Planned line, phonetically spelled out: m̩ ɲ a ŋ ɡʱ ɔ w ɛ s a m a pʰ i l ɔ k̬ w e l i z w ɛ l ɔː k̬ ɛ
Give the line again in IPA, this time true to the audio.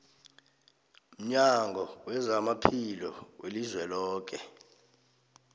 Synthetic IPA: m̩ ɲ a ŋ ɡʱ ɔ w ɛ z a m a pʰ i l ɔ w e l i z w ɛ l ɔː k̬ ɛ